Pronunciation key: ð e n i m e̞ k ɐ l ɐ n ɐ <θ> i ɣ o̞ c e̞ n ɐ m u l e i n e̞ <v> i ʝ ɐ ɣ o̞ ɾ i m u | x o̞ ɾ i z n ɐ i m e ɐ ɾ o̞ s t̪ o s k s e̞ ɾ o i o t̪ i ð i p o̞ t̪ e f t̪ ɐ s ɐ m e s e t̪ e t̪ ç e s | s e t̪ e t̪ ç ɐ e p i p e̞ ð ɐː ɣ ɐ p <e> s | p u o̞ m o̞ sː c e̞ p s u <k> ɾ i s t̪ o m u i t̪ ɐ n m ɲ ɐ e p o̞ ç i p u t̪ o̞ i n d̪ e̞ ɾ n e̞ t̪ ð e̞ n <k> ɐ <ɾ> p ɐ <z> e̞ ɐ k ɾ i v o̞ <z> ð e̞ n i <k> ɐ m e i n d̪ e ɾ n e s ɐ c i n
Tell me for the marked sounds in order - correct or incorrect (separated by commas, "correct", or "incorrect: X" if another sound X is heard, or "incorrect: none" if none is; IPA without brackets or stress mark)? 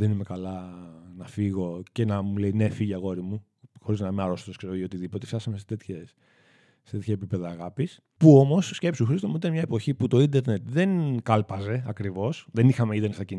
incorrect: f, incorrect: f, incorrect: i, incorrect: x, correct, incorrect: l, correct, incorrect: s, incorrect: x